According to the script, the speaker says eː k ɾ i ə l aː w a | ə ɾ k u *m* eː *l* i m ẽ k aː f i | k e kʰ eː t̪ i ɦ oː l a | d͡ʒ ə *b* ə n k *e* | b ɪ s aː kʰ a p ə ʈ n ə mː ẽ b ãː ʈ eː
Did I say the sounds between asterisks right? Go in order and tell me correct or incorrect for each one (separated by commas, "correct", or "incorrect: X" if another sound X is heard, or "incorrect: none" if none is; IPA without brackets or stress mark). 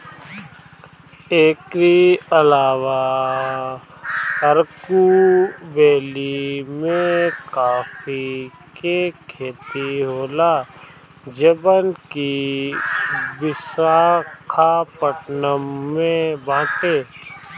incorrect: b, correct, correct, incorrect: i